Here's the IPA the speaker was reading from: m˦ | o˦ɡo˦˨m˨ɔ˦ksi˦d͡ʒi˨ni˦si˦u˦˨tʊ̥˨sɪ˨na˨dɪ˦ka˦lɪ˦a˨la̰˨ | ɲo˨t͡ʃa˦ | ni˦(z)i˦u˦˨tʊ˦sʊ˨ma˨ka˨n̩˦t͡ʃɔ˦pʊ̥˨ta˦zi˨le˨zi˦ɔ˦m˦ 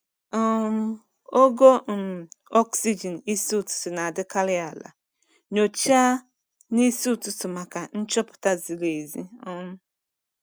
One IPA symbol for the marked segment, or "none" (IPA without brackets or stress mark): s